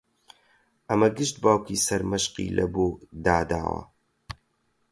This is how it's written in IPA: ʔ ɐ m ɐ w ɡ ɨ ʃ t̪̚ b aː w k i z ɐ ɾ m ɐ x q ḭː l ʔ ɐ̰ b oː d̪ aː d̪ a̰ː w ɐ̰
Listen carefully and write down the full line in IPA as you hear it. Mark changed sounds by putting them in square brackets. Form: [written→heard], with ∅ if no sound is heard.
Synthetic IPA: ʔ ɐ m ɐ [w→∅] ɡ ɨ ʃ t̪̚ b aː w k i [z→s] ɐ ɾ m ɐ [x→ʃ] q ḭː l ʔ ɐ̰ b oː d̪ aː d̪ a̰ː w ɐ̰